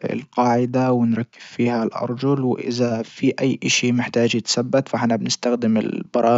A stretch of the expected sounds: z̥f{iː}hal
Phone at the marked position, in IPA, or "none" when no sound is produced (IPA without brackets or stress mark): iː